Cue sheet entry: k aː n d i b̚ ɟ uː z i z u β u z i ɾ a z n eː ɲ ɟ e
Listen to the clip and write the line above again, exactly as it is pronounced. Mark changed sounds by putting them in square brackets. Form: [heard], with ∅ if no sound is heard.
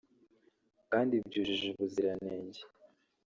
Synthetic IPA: k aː n d i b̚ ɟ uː [ʒ] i [ʒ] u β u z i ɾ a [∅] n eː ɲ ɟ e